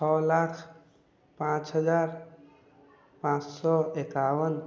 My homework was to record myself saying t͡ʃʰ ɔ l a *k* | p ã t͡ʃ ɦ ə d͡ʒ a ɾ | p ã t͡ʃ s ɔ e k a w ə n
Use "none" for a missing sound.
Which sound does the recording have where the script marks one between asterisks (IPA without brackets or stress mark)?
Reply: kʰ